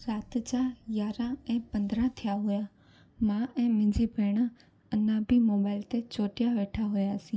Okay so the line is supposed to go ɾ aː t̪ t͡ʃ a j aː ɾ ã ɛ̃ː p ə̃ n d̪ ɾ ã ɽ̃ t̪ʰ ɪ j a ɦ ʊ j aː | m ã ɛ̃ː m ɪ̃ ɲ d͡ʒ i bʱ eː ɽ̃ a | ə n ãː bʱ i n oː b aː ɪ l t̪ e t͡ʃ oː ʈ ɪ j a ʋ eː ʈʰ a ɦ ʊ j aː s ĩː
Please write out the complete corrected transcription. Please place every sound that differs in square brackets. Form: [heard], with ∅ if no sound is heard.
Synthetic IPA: ɾ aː t̪ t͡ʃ a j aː ɾ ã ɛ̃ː p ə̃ n d̪ ɾ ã [∅] t̪ʰ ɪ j a ɦ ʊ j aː | m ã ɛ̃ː m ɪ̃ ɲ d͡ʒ i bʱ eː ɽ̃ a | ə n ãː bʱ i [m] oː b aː ɪ l t̪ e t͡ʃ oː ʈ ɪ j a ʋ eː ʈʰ a ɦ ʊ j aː s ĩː

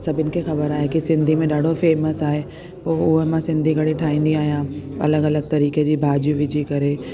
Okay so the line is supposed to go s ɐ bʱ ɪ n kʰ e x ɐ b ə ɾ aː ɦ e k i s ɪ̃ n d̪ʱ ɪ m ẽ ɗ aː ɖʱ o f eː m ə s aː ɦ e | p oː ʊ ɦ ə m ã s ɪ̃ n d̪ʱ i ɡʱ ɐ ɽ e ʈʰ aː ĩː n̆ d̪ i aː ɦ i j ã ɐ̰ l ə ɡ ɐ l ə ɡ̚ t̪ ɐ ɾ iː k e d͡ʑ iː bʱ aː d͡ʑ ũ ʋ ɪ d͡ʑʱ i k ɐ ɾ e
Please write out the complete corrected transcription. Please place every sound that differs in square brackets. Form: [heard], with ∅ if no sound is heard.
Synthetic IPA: s ɐ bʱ ɪ n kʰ e x ɐ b ə ɾ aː ɦ e k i s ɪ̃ n d̪ʱ [i] m ẽ ɗ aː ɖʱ o f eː m ə s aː ɦ e | p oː ʊ ɦ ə m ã s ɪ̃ n d̪ʱ i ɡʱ ɐ ɽ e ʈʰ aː ĩː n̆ d̪ i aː ɦ i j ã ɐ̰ l ə ɡ ɐ l ə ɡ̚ t̪ ɐ ɾ iː k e d͡ʑ iː bʱ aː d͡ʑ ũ ʋ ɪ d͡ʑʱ i k ɐ ɾ e

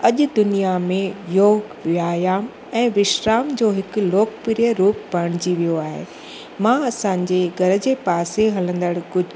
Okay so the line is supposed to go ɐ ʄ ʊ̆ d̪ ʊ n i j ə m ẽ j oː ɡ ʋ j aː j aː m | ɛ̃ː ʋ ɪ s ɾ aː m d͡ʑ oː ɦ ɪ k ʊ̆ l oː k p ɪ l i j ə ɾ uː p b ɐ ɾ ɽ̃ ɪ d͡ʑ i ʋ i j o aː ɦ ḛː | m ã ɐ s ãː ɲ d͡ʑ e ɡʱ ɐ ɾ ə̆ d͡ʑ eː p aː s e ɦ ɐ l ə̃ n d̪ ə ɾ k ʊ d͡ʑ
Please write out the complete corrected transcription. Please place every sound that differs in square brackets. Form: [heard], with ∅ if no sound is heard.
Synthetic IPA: ɐ ʄ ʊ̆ d̪ ʊ n i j [a] m ẽ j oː ɡ ʋ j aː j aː m | ɛ̃ː ʋ ɪ [ʃ] ɾ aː m d͡ʑ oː ɦ ɪ k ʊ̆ l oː k p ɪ [ɾ] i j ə ɾ uː p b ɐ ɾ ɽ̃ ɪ d͡ʑ i ʋ i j o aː ɦ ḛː | m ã ɐ s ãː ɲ d͡ʑ e ɡʱ ɐ ɾ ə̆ d͡ʑ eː p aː s e ɦ ɐ l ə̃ n d̪ ə [ɽ] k ʊ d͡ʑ

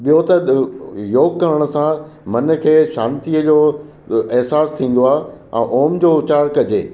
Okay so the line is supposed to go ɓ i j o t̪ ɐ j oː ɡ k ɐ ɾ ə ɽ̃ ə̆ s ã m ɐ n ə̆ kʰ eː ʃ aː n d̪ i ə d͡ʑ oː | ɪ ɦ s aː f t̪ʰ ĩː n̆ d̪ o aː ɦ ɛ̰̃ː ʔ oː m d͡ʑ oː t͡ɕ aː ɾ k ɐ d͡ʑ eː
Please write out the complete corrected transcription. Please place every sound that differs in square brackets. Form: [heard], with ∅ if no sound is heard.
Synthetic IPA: ɓ i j o t̪ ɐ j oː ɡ k ɐ ɾ ə ɽ̃ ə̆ s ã m ɐ n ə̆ kʰ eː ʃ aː n [t̪] i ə d͡ʑ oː | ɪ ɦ s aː [s] t̪ʰ ĩː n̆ d̪ o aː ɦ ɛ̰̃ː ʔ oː m d͡ʑ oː t͡ɕ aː ɾ k ɐ d͡ʑ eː

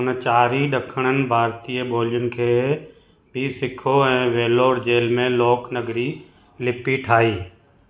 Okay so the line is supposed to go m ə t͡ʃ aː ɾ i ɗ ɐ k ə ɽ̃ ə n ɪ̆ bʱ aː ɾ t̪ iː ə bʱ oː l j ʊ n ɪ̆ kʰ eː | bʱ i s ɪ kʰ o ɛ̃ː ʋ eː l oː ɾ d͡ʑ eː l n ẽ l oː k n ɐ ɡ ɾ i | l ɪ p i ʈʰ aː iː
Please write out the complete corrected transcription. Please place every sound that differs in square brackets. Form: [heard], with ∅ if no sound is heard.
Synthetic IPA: [n] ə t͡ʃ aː ɾ i ɗ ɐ [kʰ] ə ɽ̃ ə n ɪ̆ bʱ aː ɾ t̪ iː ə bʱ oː l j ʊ n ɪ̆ kʰ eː | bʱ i s ɪ kʰ o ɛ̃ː ʋ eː l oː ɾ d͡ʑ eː l [m] ẽ l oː k n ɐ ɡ ɾ i | l ɪ p i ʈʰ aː iː

